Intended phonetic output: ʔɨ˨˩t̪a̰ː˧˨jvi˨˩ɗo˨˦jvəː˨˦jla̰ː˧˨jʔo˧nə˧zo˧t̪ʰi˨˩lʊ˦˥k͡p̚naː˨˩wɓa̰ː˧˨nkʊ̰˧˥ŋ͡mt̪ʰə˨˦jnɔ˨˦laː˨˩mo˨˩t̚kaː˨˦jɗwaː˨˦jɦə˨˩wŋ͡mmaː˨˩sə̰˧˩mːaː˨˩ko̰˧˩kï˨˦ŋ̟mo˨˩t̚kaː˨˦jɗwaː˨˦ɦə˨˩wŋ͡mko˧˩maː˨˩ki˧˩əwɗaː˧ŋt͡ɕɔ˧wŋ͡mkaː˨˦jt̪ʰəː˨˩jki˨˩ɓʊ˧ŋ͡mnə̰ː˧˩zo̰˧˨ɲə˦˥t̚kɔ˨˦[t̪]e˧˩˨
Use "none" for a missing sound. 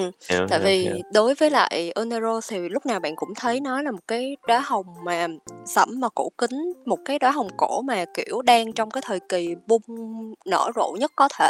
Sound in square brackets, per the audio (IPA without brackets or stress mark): t̪ʰ